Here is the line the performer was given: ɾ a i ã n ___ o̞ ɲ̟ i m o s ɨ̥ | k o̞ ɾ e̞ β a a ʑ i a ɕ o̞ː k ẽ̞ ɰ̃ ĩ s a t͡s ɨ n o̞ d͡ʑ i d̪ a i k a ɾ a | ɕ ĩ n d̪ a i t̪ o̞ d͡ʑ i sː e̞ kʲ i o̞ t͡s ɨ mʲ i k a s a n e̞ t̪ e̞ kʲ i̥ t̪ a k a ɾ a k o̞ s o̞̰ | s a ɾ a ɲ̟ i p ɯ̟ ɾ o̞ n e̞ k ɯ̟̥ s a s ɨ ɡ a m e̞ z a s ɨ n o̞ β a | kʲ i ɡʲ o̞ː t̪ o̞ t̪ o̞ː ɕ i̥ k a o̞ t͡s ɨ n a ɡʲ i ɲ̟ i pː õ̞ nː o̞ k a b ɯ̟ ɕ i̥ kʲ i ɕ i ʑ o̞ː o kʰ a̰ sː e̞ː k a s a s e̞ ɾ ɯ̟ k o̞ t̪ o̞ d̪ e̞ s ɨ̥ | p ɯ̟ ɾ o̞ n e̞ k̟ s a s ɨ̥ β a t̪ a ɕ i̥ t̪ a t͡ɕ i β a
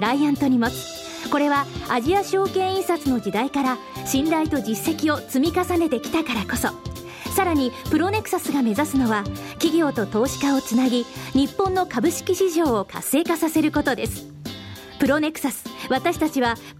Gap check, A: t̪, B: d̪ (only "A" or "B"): A